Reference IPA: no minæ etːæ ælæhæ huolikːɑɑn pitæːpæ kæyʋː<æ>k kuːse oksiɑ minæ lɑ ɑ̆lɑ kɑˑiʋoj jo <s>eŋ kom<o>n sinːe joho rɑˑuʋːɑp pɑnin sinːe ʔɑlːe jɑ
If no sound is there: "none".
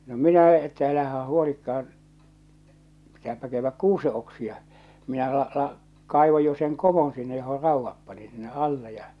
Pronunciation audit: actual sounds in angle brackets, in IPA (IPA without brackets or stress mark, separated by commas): æ, s, o